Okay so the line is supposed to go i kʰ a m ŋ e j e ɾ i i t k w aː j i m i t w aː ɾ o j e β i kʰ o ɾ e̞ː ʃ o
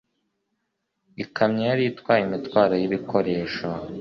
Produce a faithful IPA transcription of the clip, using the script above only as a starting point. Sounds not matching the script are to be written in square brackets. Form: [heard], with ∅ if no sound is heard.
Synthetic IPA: i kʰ a m [ɲ] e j [a] ɾ i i t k w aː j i m i t w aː ɾ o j [i] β i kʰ o ɾ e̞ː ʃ o